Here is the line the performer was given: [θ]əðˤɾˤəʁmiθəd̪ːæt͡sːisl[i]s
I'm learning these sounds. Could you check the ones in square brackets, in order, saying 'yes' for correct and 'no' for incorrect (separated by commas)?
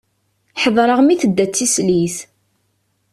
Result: no, yes